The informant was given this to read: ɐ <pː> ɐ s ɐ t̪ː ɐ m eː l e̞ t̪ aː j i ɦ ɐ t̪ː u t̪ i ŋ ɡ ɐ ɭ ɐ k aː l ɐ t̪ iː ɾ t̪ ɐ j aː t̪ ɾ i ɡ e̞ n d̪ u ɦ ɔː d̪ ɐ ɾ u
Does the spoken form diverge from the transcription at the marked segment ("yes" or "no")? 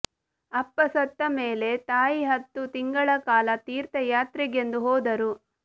no